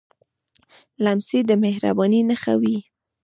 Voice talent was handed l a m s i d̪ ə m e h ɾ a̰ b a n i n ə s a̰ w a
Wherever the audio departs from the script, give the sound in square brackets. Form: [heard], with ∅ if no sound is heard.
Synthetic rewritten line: l a m s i d̪ ə m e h ɾ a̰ b [ɑ] n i n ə [x] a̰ w [i]